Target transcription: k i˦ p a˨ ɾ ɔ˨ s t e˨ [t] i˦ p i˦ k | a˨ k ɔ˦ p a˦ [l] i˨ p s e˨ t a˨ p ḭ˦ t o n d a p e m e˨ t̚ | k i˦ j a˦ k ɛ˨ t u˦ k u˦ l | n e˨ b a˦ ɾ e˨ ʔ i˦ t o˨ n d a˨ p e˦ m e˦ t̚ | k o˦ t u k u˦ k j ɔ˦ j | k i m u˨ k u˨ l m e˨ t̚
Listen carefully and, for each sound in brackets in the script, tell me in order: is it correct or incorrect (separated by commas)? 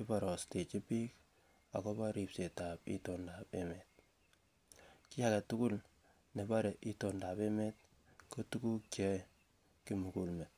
incorrect, incorrect